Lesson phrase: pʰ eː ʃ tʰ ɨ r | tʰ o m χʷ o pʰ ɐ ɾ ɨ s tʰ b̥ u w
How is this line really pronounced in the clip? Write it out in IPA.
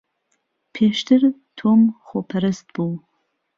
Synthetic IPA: pʰ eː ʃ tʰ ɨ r | tʰ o m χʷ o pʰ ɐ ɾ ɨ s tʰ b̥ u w